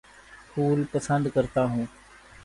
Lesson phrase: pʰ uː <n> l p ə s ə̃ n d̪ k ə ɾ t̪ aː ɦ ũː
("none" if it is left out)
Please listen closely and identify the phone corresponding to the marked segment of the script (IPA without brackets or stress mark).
none